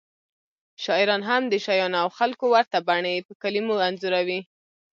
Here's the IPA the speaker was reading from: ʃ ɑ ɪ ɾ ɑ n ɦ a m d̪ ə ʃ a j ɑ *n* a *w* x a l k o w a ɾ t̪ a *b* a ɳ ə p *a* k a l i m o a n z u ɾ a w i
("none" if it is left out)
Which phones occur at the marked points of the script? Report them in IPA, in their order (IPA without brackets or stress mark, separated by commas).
n, w, b, ə